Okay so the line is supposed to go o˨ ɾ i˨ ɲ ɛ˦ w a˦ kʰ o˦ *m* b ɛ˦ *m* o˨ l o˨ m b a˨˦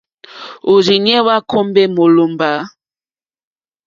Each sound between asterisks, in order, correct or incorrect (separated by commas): correct, correct